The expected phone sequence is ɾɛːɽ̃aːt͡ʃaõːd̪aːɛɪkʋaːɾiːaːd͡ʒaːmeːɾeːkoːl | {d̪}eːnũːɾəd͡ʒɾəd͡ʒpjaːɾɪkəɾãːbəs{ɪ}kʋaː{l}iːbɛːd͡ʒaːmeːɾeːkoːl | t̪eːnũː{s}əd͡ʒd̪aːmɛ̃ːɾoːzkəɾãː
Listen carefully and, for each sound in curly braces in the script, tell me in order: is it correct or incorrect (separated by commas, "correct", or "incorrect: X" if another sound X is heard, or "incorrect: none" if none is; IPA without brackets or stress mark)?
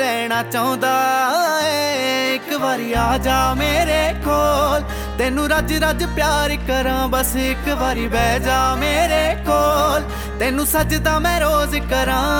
incorrect: t̪, correct, incorrect: ɾ, correct